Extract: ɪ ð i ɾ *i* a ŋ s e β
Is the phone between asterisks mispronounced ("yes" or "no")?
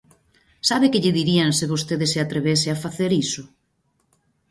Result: no